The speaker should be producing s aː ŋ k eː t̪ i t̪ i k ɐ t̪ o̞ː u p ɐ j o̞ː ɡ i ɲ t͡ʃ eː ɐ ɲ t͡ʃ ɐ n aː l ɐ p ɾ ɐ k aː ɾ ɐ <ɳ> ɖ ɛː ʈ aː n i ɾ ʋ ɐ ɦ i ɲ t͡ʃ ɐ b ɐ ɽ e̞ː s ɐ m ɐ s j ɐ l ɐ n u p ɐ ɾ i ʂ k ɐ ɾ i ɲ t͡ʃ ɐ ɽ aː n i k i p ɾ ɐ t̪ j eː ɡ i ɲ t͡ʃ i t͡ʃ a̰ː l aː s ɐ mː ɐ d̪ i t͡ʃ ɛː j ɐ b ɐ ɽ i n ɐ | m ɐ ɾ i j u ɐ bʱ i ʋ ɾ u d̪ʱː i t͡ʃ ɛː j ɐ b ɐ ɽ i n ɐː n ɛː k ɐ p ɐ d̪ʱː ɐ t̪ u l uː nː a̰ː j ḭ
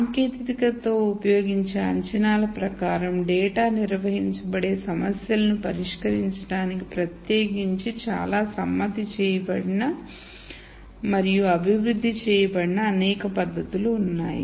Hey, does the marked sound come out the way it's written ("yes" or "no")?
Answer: no